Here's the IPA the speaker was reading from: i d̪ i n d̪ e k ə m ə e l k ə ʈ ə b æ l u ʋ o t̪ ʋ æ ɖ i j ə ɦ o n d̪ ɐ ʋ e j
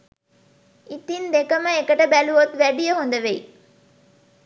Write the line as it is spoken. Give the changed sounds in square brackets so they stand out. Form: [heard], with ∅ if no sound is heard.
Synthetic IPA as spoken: i [t̪] i n d̪ e k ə m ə e [∅] k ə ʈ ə b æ l u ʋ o t̪ ʋ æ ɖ i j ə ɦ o n d̪ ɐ ʋ e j